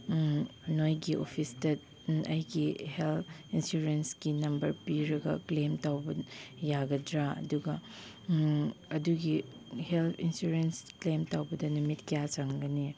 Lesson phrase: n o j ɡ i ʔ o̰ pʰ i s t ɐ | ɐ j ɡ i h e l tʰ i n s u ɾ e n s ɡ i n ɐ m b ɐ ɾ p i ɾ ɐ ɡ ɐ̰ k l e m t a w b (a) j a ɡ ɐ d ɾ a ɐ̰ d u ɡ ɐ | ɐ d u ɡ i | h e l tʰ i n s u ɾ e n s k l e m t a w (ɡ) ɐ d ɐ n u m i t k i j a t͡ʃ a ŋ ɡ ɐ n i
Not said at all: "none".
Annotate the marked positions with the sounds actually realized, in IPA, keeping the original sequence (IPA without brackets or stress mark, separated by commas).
ɐ, b